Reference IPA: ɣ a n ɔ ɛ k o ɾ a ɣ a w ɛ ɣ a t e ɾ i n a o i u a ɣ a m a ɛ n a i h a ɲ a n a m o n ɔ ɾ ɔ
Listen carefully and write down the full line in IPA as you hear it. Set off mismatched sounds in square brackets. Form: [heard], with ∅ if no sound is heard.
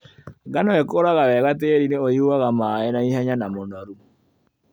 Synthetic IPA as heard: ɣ a n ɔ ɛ k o ɾ a ɣ a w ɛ ɣ a t e ɾ i n [e] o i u a ɣ a m a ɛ n a i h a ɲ a n a m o n ɔ ɾ [u]